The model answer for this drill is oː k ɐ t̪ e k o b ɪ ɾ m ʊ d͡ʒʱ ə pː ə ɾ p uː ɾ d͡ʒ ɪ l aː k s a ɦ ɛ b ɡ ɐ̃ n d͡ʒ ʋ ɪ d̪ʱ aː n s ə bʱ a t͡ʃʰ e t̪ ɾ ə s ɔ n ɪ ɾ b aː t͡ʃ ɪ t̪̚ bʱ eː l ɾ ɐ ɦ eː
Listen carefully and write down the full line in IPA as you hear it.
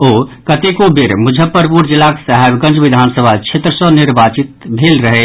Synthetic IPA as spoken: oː k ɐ t̪ e k o b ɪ ɾ m ʊ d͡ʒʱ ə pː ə ɾ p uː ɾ d͡ʒ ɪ l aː k s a ɦ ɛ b ɡ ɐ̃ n d͡ʒ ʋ ɪ d̪ʱ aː n s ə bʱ a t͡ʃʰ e t̪ ɾ ə s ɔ n ɪ ɾ b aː t͡ʃ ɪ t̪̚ bʱ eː l ɾ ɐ ɦ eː